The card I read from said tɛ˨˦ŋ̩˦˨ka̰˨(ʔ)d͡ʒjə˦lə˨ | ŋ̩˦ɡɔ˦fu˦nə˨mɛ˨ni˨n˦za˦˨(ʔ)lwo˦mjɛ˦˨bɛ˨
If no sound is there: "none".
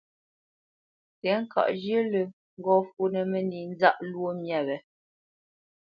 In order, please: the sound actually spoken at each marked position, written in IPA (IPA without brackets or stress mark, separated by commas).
ʔ, ʔ